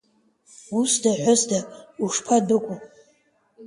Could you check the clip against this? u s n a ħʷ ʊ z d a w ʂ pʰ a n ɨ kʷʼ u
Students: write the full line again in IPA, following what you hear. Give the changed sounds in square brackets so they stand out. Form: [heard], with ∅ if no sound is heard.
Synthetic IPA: u s [d] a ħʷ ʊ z d a [u] ʂ pʰ a [d] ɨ kʷʼ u